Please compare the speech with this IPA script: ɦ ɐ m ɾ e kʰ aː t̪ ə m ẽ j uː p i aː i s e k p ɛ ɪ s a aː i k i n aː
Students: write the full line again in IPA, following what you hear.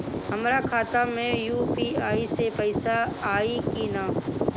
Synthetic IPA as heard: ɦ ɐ m ɾ a kʰ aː t̪ a m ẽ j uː p i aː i s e p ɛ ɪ s a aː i k i n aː